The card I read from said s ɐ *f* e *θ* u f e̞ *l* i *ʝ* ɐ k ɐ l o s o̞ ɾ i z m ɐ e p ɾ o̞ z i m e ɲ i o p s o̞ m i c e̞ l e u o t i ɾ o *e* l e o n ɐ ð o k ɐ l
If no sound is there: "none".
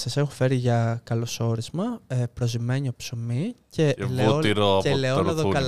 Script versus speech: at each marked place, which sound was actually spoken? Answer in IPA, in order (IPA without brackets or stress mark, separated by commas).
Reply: s, x, ɾ, ʝ, e